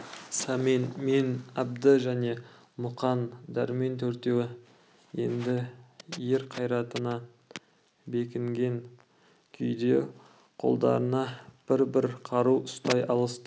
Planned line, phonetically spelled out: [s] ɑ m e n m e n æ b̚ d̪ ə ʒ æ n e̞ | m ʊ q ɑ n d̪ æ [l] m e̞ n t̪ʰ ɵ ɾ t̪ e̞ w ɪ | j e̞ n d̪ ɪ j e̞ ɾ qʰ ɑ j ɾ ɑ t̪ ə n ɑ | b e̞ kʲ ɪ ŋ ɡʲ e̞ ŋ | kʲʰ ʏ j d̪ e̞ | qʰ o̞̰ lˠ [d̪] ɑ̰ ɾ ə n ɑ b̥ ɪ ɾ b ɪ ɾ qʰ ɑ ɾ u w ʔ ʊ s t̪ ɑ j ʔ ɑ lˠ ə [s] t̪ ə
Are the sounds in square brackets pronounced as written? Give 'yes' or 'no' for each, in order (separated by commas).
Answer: yes, no, yes, yes